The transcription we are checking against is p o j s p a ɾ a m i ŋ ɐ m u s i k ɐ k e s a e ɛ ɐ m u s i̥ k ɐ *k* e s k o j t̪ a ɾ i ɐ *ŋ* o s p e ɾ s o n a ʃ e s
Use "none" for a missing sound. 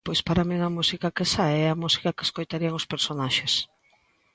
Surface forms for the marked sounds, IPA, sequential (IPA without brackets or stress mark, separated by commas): k, ŋ